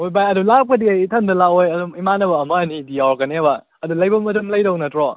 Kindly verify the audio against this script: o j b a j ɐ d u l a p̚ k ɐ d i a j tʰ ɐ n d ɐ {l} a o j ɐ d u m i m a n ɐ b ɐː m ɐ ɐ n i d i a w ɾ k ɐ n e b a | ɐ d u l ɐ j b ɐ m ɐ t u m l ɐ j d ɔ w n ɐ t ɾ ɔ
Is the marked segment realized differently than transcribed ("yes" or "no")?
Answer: no